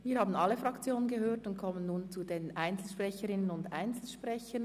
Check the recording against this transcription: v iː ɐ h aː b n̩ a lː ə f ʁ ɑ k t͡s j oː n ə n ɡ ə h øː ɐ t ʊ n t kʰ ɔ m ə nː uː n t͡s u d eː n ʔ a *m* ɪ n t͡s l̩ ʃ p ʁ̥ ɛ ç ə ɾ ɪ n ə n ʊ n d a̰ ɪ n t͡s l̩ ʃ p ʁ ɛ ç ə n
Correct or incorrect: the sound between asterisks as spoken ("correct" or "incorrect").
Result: incorrect